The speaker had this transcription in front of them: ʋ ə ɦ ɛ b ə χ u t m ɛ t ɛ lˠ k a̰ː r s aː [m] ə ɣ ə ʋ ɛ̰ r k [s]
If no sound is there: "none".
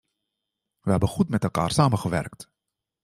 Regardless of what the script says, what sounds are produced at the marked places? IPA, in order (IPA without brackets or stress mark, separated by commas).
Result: m, t